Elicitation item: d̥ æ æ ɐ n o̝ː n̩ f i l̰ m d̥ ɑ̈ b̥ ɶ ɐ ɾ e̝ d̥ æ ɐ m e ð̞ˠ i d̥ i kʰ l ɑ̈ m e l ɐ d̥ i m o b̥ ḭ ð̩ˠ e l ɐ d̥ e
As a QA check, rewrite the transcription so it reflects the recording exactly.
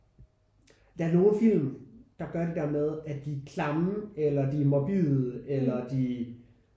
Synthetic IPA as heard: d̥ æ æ ɐ n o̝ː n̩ f i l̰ m d̥ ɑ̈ ɡ̥ ɶ ɐ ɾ e̝ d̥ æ ɐ m e ð̞ˠ æ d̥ i kʰ l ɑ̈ m e l ɐ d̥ i m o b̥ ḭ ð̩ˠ e l ɐ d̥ i

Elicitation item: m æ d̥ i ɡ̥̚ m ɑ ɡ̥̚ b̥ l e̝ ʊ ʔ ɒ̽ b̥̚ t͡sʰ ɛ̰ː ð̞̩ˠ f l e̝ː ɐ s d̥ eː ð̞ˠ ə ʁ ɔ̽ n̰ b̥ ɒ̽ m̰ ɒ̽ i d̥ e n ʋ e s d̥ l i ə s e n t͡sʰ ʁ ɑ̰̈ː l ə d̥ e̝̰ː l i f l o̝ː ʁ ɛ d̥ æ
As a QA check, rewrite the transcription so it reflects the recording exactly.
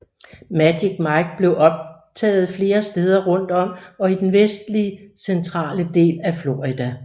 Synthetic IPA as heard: m æ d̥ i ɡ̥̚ m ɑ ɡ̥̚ b̥ l e̝ ʊ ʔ ɒ̽ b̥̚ t͡sʰ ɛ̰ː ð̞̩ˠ f l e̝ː ɐ s d̥ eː ð̞ˠ ɐ ʁ ɔ̽ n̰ d̥ ɒ̽ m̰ ɒ̽ i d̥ e n ʋ e s d̥ l i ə s e n t͡sʰ ʁ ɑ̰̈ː l ə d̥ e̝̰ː l æ f l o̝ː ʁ i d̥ æ

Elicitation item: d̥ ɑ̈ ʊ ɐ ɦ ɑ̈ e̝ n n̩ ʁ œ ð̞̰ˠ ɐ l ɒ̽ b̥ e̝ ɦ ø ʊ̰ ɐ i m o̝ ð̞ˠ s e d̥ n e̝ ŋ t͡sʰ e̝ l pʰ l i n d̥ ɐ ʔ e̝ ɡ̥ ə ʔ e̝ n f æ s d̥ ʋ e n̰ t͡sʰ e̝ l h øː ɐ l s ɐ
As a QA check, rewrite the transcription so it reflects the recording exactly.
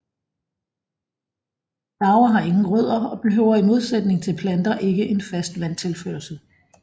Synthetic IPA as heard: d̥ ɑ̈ ʊ ɐ ɦ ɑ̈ e̝ ŋ n̩ ʁ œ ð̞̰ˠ ɐ ɒ̽ b̥ e̝ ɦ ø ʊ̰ ɐ i m o̝ ð̞ˠ s e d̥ n e̝ ŋ t͡sʰ e̝ l pʰ l æ n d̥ ɐ ʔ e̝ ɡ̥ ə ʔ e̝ n f æ s d̥ ʋ æ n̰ t͡sʰ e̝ l f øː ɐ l s ə

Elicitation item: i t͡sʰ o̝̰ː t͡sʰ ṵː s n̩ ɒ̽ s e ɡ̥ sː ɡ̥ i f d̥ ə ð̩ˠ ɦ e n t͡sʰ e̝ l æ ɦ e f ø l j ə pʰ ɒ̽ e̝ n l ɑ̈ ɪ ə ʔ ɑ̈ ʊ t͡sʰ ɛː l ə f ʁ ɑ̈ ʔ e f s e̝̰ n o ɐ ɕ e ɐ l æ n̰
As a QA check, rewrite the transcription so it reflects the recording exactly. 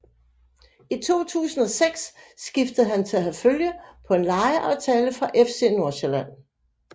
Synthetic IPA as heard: i t͡sʰ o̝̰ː t͡sʰ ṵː s n̩ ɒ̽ s e ɡ̥ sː ɡ̥ i f d̥ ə ð̩ˠ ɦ æ n t͡sʰ e̝ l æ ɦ æ f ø l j ə pʰ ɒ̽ e̝ n l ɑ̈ ɪ ə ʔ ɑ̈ ʊ t͡sʰ ɛː l ə f ʁ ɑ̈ ʔ e f s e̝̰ n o ɐ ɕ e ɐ l æ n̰

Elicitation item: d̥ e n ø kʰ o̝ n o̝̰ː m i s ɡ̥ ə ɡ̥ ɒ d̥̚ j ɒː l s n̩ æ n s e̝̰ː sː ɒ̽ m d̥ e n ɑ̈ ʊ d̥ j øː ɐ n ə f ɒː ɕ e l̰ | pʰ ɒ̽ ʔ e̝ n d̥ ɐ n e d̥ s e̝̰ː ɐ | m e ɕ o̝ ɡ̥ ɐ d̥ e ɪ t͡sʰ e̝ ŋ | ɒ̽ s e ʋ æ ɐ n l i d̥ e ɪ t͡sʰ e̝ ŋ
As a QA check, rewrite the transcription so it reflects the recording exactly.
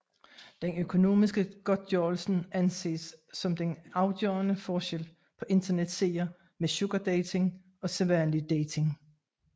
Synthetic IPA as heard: d̥ e n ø kʰ o̝ n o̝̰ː m i s ɡ̥ ə ɡ̥ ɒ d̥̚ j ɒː l s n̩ æ n s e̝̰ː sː ɒ̽ m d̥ e n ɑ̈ ʊ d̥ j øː ɐ n ə f ɒː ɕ e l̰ | pʰ ɒ̽ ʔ e̝ n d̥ ɐ n e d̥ s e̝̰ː ɐ | m e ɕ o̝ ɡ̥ ɐ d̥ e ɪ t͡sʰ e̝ ŋ | ɒ̽ s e ʋ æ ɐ n l i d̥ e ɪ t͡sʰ e̝ ŋ

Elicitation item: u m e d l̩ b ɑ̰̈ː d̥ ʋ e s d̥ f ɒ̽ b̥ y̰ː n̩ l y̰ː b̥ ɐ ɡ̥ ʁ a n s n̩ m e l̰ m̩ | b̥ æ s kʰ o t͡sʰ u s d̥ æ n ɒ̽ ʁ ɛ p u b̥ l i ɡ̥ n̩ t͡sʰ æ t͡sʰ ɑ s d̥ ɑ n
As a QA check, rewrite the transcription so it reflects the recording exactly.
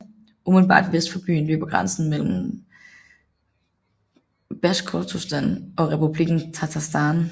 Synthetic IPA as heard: u m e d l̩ b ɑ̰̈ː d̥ ʋ e s d̥ f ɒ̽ b̥ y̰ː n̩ l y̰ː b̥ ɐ ɡ̥ ʁ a n s n̩ m e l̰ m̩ | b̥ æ s kʰ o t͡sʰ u s d̥ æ n ɒ̽ ʁ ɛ p u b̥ l i ɡ̥ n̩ t͡sʰ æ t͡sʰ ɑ s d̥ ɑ n

